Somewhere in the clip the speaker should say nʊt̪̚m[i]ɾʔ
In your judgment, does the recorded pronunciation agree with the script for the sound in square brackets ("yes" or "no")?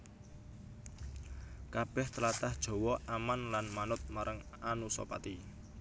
no